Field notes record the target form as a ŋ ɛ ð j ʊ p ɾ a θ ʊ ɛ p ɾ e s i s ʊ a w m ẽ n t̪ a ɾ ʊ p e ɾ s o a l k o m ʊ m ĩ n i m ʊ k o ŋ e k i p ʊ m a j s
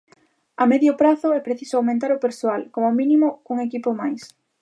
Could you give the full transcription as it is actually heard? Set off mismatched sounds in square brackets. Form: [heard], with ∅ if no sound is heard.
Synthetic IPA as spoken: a [m] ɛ ð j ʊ p ɾ a θ ʊ ɛ p ɾ e [θ] i s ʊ a w m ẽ n t̪ a ɾ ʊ p e ɾ s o a l k o m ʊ m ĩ n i m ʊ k [u] ŋ e k i p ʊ m a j s

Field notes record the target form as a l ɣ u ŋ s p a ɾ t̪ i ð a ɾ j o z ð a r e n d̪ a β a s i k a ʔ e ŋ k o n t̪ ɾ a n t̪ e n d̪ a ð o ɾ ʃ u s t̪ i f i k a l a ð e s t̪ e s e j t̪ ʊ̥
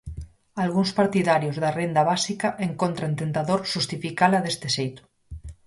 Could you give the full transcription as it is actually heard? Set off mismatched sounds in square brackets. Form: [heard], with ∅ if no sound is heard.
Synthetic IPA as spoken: a l ɣ u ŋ s p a ɾ t̪ i ð a ɾ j o z ð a r e n d̪ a β a s i k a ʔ e ŋ k o n t̪ ɾ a n t̪ e n [t̪] a ð o ɾ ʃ u s t̪ i f i k a l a ð e s t̪ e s e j t̪ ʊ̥

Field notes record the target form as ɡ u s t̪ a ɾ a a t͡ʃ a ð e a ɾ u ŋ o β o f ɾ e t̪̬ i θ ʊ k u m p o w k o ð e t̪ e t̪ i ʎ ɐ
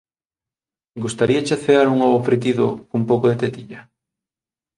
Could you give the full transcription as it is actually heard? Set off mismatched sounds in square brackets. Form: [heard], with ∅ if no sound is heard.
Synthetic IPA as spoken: ɡ u s t̪ a ɾ [i] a t͡ʃ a [θ] e a ɾ u ŋ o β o f ɾ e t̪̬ i [ð] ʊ k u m p o w k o ð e t̪ e t̪ i ʎ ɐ

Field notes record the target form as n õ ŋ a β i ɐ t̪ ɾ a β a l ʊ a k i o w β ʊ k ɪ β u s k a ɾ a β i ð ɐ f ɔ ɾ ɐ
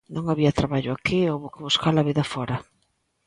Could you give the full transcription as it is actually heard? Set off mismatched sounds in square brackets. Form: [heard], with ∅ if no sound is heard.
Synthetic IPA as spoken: n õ ŋ a β i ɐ t̪ ɾ a β a [ʎ] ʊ a k i o w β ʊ k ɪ β u s k a [l] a β i ð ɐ f ɔ ɾ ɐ

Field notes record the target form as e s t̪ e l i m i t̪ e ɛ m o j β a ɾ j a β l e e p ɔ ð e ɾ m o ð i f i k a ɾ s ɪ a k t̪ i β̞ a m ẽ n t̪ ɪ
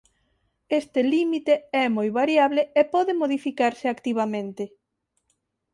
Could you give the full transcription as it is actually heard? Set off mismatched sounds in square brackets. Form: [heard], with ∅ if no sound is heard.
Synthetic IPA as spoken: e s t̪ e l i m i t̪ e ɛ m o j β a ɾ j a β l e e p ɔ ð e [∅] m o ð i f i k a ɾ s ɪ a k t̪ i β̞ a m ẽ n t̪ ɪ

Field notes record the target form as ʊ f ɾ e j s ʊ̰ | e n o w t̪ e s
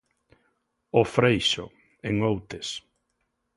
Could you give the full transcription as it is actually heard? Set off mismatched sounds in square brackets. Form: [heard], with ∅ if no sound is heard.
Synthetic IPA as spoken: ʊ f ɾ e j [ʃ] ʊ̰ | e [ŋ] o w t̪ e s

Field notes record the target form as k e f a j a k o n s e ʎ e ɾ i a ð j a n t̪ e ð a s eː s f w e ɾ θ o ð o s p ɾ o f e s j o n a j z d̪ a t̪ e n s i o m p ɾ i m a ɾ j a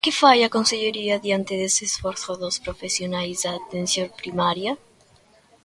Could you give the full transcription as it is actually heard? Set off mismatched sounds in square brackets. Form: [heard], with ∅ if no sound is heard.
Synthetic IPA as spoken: k e f a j a k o n s e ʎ e ɾ i a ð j a n t̪ e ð [e] s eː s f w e ɾ θ o ð o s p ɾ o f e s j o n a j z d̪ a t̪ e n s [j] o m p ɾ i m a ɾ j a

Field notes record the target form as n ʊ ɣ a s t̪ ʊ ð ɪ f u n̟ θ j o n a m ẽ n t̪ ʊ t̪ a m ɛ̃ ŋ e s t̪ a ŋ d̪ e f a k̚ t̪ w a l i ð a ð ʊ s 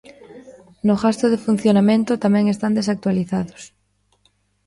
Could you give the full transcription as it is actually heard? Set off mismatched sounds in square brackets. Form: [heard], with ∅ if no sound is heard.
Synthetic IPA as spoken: n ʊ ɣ a s t̪ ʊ ð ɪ f u n̟ θ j o n a m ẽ n t̪ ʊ t̪ a m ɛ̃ ŋ e s t̪ a [n] d̪ e [s] a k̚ t̪ w a l i [θ] a ð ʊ s

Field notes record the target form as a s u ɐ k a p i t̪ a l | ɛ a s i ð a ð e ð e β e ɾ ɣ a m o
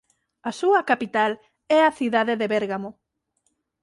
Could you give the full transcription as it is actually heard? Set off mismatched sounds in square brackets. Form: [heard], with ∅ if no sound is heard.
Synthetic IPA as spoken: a s u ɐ k a p i t̪ a l | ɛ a [θ] i ð a ð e ð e β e ɾ ɣ a m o

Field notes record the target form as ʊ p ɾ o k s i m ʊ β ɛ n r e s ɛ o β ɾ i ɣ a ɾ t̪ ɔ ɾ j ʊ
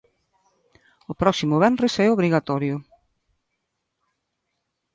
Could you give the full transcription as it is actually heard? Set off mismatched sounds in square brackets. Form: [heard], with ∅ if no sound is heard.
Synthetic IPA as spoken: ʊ p ɾ [ɔ] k s i m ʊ β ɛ n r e s ɛ o β ɾ i ɣ a [∅] t̪ ɔ ɾ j ʊ

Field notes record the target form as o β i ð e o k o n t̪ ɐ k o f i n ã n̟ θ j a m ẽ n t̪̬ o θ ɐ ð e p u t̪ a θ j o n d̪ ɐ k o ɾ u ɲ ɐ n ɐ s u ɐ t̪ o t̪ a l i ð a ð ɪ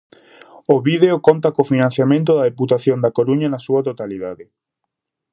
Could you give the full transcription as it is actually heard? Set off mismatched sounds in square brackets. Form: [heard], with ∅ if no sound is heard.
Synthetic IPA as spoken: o β i ð e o k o n t̪ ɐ k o f i n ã n̟ θ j a m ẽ n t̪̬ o [ð] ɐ ð e p u t̪ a θ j o n d̪ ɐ k o ɾ u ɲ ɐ n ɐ s u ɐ t̪ o t̪ a l i ð a ð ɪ

